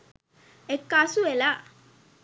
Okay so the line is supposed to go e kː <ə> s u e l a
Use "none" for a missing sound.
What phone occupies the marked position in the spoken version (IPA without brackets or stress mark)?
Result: a